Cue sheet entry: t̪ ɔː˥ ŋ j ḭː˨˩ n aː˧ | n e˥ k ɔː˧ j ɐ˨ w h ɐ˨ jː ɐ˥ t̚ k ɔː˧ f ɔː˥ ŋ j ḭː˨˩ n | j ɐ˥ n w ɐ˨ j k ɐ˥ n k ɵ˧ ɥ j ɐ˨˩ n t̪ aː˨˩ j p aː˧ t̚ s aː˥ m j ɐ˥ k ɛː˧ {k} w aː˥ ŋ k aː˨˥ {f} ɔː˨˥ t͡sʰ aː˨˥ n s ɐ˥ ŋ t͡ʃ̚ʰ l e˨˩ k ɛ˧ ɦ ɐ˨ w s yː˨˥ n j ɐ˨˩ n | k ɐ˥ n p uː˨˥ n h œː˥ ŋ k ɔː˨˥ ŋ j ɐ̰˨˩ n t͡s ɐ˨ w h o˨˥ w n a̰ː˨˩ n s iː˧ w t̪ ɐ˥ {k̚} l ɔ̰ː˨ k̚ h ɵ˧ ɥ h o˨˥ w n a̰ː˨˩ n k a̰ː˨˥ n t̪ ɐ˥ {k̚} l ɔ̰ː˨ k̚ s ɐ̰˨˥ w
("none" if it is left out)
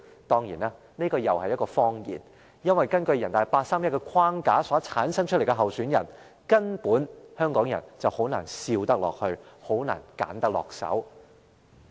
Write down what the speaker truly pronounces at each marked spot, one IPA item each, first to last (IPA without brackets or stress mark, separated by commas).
kʰ, s, k̚, k̚